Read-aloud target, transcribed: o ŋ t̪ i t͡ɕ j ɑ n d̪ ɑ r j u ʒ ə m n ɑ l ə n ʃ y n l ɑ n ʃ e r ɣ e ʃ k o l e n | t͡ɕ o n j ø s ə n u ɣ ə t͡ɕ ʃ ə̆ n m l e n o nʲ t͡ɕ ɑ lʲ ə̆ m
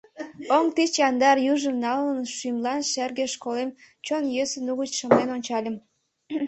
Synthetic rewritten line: o ŋ t̪ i t͡ɕ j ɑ n d̪ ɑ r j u ʒ ə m n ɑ l ə n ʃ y m l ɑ n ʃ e r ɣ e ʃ k o l e m | t͡ɕ o n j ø s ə n u ɣ ə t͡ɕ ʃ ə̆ m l e n o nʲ t͡ɕ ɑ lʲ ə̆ m